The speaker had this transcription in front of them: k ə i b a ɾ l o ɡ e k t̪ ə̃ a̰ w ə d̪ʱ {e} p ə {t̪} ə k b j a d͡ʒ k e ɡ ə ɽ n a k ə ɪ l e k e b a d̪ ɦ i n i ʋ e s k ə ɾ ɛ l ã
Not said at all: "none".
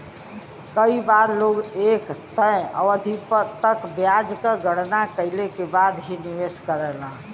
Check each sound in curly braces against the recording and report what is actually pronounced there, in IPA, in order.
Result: i, t̪

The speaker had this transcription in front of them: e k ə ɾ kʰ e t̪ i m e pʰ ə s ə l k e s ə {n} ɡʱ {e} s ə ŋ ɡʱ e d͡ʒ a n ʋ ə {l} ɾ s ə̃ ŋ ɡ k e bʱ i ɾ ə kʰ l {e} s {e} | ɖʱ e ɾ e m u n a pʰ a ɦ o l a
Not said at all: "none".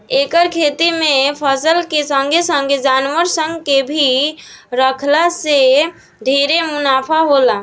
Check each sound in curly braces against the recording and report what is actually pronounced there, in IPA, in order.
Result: ŋ, e, none, a, e

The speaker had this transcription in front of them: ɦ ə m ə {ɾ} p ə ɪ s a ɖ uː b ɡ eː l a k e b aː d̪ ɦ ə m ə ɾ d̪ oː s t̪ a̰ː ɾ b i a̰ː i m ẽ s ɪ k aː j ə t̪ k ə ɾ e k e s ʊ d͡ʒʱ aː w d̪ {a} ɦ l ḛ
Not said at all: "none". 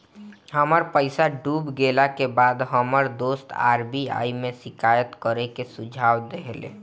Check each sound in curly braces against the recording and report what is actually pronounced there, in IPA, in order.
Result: ɾ, e

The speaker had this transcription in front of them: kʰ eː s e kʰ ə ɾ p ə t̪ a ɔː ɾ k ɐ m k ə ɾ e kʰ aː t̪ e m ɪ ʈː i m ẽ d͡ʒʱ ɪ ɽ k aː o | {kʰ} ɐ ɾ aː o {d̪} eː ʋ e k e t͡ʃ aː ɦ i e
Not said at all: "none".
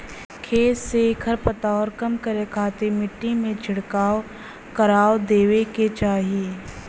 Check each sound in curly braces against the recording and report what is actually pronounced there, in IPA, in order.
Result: k, d̪

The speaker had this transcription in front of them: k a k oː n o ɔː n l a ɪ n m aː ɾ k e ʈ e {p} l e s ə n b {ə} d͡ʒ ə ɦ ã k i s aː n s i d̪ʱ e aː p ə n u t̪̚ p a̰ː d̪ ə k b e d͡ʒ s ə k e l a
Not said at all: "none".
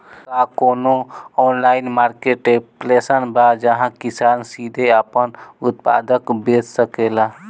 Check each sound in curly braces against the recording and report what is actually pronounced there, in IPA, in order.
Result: p, a

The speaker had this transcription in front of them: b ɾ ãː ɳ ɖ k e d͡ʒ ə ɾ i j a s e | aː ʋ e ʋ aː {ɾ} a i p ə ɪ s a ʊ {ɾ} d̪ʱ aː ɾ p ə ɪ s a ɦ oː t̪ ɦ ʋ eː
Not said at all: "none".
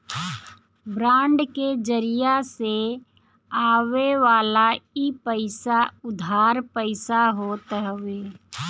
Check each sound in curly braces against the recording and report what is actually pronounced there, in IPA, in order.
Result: l, none

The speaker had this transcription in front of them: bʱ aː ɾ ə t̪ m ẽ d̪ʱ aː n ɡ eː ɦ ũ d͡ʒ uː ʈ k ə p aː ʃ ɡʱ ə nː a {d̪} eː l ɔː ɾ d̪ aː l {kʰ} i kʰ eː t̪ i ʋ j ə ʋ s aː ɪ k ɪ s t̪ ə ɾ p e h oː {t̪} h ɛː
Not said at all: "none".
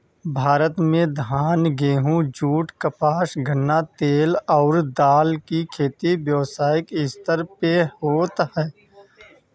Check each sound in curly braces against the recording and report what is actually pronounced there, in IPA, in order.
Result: t̪, k, t̪

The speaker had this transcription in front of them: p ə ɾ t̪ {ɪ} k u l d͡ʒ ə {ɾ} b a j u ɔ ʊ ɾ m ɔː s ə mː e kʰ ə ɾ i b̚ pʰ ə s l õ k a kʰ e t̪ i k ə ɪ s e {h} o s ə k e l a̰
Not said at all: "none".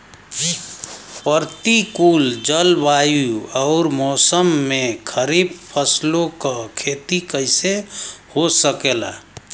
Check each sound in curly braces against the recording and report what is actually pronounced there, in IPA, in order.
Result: i, l, h

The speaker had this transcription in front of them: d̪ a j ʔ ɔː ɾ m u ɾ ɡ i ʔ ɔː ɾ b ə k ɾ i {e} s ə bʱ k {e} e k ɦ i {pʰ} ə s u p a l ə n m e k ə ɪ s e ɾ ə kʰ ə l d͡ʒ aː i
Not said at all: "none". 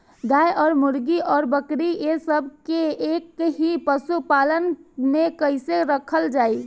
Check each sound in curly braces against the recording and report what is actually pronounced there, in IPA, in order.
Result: e, e, p

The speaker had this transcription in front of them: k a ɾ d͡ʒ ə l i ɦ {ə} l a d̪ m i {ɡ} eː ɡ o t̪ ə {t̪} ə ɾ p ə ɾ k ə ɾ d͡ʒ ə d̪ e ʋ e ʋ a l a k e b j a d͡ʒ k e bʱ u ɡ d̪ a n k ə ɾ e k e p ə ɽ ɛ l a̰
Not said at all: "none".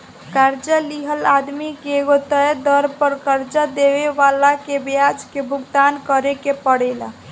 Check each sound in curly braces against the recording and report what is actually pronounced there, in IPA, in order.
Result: ə, k, d̪

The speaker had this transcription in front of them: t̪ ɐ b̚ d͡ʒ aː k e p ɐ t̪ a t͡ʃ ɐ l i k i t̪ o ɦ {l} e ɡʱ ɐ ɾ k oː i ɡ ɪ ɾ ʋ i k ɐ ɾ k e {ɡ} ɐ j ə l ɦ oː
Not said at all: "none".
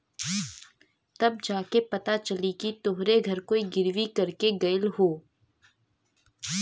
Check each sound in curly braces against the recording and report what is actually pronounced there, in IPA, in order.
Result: ɾ, ɡ

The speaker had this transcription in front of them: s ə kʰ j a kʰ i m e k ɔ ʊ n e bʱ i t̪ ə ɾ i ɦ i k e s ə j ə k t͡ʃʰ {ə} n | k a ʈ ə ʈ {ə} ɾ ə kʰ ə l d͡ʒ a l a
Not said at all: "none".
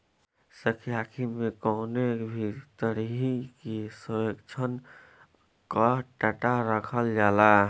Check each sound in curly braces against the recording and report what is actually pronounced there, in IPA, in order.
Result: ə, a

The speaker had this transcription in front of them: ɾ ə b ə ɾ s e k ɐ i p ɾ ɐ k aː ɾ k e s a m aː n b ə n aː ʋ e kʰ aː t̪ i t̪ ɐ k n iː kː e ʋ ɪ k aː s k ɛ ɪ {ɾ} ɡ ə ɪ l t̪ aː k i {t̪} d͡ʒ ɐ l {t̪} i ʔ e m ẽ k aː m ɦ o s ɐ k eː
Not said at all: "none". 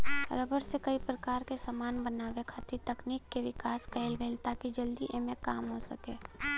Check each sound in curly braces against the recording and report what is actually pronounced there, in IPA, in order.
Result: l, none, d̪

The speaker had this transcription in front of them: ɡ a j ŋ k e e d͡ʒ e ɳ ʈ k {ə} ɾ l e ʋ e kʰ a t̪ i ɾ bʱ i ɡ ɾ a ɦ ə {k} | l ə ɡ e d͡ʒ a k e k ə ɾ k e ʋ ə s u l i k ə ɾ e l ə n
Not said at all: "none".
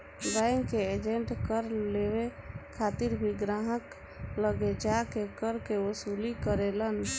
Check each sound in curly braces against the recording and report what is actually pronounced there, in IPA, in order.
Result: ə, k

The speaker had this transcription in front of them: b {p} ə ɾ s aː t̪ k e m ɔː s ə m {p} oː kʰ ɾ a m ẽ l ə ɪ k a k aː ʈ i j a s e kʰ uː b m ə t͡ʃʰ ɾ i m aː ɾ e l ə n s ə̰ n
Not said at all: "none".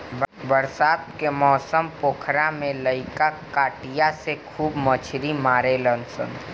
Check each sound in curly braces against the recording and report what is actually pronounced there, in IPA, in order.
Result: b, p

